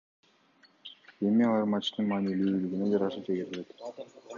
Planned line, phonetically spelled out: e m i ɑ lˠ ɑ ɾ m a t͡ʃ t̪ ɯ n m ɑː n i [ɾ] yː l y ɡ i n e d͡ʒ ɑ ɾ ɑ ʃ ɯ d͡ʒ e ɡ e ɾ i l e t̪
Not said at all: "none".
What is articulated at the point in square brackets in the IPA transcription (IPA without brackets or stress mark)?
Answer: l